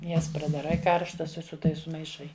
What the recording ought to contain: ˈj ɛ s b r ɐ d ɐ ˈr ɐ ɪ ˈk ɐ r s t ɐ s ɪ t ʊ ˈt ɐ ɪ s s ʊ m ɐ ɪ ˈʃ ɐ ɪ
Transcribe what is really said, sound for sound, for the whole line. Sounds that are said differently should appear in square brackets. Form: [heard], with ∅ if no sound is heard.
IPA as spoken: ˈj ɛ s [p] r ɐ d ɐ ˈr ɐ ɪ ˈk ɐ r [ʃ] t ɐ s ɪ [s] ʊ ˈt ɐ ɪ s s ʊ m ɐ ɪ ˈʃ ɐ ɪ

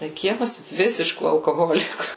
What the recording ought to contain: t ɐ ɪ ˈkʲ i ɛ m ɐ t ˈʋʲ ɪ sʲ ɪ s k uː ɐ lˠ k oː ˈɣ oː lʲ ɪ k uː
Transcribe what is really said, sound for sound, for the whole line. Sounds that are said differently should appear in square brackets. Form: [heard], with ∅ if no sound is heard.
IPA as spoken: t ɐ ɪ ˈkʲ i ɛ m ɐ [s] ˈʋʲ ɪ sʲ ɪ [ʃ] k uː ɐ lˠ k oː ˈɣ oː lʲ ɪ k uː

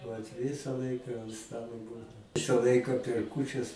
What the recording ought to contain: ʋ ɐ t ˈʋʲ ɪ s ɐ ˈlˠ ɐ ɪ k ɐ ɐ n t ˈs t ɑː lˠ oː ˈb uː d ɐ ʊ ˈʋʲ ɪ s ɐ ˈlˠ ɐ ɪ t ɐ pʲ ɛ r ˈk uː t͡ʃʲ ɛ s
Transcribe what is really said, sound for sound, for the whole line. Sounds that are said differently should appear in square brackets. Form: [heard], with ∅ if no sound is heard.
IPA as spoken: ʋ ɐ t ˈʋʲ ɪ s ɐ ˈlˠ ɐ ɪ k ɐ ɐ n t ˈs t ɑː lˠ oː ˈb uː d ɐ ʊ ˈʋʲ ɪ s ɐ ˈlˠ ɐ ɪ [k] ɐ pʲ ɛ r ˈk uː t͡ʃʲ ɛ s

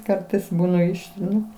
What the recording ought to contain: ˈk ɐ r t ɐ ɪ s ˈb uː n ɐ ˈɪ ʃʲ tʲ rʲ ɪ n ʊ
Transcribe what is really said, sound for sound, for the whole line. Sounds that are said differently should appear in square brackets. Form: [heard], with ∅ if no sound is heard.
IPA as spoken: ˈk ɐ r t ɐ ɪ s ˈb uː n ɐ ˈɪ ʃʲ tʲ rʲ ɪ n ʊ

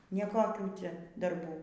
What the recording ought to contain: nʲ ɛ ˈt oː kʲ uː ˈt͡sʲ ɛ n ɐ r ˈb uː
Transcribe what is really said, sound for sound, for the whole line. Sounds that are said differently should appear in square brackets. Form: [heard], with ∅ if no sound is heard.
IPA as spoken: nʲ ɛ [ˈk] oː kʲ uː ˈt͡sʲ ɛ [d] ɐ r ˈb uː

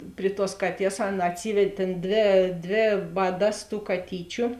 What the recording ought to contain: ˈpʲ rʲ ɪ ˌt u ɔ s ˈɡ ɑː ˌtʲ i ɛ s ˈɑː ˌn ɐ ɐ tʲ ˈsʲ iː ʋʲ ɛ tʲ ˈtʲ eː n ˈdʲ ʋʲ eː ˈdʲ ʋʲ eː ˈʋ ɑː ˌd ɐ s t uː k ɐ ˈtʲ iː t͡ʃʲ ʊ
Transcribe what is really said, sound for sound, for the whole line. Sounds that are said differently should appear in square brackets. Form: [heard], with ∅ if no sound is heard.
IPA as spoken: ˈpʲ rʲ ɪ ˌt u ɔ s [ˈk] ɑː ˌtʲ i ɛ s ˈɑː ˌn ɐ ɐ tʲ ˈsʲ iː ʋʲ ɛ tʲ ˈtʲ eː n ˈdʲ ʋʲ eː ˈdʲ ʋʲ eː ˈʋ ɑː ˌd ɐ s t uː k ɐ ˈtʲ iː t͡ʃʲ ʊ

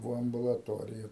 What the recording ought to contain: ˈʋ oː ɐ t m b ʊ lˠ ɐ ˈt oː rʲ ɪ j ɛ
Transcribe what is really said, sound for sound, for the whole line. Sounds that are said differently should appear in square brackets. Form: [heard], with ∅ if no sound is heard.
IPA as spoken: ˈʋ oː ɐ [∅] m b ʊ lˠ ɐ ˈt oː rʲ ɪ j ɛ

